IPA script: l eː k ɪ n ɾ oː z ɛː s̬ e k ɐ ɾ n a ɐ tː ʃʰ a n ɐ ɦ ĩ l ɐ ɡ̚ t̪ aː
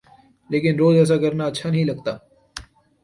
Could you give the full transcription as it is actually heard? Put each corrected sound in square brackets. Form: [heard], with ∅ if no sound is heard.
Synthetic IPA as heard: l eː k ɪ n ɾ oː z ɛː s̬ [a] k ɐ ɾ n a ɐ tː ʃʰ a n ɐ ɦ ĩ l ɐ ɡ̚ t̪ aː